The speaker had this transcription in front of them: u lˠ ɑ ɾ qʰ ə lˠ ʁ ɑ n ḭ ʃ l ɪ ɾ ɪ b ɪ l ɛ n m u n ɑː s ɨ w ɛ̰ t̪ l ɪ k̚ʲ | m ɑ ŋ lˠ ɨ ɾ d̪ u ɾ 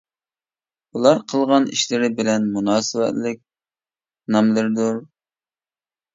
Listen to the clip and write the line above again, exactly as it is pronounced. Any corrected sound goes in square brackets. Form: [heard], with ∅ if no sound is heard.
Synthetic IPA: u lˠ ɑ ɾ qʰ ə lˠ ʁ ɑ n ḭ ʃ l ɪ ɾ ɪ b ɪ l ɛ n m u n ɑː s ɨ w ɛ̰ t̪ l ɪ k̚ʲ | [n] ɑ [m] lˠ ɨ ɾ d̪ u ɾ